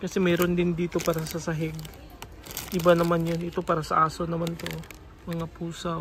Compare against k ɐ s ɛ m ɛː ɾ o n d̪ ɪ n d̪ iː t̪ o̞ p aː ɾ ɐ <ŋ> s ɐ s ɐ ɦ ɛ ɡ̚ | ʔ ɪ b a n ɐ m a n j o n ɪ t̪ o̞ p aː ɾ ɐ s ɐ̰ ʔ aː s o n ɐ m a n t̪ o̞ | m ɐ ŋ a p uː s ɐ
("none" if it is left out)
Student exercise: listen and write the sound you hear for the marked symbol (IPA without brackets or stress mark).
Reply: none